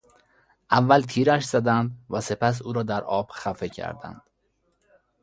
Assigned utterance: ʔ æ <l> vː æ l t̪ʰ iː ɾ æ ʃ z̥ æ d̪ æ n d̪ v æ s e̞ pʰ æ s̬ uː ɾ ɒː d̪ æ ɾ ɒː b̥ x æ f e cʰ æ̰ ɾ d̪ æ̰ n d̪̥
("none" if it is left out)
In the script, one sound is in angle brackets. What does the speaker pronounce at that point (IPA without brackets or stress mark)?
none